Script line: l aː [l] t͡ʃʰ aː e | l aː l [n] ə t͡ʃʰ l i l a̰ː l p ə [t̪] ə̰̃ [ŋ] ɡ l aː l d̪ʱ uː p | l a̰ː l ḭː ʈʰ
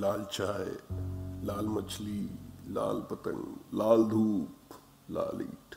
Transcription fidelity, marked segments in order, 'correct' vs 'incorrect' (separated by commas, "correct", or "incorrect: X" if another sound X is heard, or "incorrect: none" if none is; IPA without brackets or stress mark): correct, incorrect: m, correct, correct